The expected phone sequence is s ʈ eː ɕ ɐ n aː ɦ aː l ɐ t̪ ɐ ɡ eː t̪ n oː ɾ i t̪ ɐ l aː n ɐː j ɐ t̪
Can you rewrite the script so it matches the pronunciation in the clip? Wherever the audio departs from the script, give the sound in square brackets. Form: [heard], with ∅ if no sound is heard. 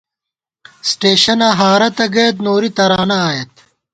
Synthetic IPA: s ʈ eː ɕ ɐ n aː ɦ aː [ɾ] ɐ t̪ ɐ ɡ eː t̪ n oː ɾ i t̪ ɐ [ɾ] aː n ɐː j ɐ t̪